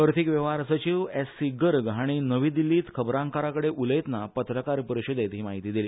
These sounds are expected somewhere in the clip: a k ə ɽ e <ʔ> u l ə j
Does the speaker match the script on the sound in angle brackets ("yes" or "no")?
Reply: yes